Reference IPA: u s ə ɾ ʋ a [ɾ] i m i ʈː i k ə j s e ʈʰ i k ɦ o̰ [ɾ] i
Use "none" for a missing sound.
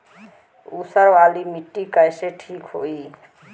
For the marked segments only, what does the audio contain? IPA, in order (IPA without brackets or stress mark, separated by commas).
l, none